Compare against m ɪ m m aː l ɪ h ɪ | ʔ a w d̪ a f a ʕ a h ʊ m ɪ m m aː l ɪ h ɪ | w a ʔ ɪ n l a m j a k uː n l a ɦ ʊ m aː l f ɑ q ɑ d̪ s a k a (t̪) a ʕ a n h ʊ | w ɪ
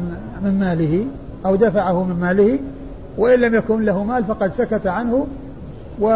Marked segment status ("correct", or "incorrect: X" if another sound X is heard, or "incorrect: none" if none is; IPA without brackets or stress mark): correct